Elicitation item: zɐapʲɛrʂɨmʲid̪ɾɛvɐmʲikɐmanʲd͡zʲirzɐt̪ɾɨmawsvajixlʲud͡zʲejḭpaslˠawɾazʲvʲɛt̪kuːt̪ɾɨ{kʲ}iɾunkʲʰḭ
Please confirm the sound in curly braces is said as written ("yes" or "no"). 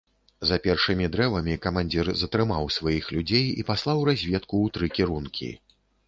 yes